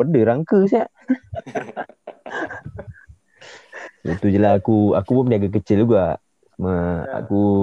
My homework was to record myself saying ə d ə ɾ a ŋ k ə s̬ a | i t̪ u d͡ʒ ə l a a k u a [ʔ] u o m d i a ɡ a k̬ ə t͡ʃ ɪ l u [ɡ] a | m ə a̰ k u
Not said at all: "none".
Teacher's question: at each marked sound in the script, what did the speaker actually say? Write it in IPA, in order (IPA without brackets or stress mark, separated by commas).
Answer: k, ɡ